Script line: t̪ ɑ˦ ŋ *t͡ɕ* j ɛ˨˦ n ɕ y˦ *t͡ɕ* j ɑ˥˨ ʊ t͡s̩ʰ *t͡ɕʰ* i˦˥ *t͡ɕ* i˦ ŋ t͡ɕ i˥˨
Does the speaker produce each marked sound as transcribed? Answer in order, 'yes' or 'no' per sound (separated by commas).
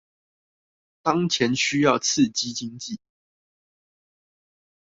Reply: no, no, no, yes